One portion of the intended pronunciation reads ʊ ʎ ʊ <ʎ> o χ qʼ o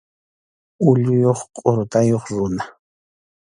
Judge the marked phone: incorrect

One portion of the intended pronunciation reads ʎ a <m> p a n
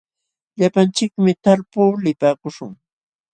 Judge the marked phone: incorrect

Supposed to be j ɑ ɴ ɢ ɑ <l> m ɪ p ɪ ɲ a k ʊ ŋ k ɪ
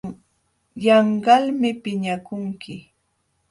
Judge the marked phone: correct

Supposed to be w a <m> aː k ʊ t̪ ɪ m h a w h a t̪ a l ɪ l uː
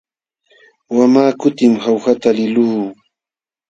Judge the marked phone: correct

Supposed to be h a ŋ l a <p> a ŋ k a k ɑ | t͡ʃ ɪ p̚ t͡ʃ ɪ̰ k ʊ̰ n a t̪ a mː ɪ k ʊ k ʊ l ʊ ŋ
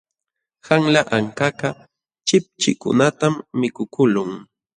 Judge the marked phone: incorrect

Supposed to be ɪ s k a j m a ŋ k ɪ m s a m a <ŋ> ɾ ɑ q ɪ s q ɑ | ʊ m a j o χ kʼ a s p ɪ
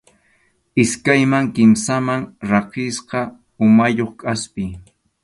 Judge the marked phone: correct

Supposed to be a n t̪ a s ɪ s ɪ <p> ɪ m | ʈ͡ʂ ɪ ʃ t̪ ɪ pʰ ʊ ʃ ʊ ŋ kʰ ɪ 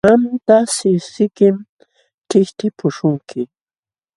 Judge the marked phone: incorrect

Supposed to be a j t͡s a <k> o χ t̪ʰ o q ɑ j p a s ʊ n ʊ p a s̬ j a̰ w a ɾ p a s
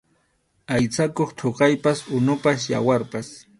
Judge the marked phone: correct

